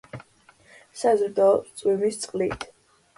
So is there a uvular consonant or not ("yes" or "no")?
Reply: yes